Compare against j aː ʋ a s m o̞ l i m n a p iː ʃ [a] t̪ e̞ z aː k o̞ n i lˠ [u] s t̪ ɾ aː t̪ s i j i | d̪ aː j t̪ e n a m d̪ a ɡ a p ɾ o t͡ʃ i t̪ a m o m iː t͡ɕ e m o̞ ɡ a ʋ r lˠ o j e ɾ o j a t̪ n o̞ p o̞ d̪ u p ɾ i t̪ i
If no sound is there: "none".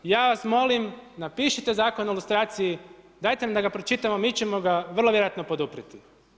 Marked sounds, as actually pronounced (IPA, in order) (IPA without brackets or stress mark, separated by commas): i, u